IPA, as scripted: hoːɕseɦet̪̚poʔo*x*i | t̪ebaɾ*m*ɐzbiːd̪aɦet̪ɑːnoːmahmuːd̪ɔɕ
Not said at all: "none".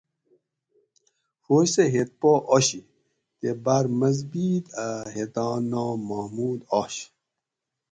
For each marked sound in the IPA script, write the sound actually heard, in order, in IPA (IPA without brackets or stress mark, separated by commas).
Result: ɕ, m